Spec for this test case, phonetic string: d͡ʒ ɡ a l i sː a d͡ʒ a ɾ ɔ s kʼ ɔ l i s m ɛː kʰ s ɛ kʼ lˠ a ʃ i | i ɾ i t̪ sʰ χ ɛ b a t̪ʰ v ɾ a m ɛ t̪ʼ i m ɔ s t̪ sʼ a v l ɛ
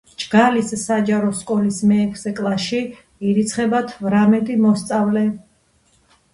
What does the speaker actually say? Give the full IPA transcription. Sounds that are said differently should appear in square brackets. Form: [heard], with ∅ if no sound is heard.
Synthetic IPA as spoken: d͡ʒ ɡ a l i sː a d͡ʒ a ɾ ɔ s kʼ ɔ l i s m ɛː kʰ s ɛ kʼ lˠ a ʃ i | i ɾ i t̪ sʰ χ ɛ b a t̪ʰ v ɾ a m ɛ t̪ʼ i m ɔ s t̪ sʼ a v l ɛ